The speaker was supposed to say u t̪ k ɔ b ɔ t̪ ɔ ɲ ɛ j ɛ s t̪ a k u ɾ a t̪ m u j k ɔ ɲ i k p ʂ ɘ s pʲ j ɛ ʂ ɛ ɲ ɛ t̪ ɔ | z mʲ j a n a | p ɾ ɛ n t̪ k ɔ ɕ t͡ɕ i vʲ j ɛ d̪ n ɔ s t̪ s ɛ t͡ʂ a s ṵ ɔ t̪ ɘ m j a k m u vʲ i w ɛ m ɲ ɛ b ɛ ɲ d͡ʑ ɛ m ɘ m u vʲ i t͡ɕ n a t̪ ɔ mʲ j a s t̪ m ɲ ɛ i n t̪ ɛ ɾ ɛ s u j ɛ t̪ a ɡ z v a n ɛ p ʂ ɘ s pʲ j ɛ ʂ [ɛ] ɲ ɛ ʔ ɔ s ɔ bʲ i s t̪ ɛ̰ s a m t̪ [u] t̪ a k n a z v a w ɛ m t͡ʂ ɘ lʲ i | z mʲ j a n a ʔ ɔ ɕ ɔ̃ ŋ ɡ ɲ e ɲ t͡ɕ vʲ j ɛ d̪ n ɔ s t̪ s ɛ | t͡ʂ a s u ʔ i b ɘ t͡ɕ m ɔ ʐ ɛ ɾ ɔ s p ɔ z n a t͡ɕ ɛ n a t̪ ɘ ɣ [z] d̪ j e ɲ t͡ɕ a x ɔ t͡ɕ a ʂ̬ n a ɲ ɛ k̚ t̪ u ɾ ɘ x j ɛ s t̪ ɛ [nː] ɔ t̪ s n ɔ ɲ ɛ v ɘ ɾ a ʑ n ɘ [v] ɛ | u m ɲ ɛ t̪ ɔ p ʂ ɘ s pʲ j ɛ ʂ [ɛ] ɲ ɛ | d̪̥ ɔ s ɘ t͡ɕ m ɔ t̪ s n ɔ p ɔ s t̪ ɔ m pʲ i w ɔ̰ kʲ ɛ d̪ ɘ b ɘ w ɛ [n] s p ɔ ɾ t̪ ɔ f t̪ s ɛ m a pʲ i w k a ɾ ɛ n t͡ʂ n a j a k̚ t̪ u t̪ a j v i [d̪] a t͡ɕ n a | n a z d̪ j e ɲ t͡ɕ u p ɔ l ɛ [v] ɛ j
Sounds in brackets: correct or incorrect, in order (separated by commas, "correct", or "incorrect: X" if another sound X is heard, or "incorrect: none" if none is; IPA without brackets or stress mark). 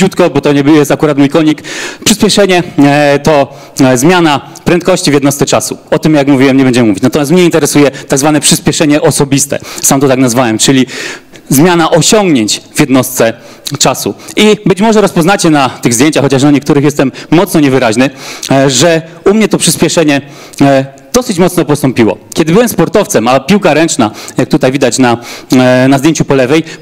correct, incorrect: ɔ, correct, incorrect: mː, incorrect: ʐ, correct, incorrect: m, correct, correct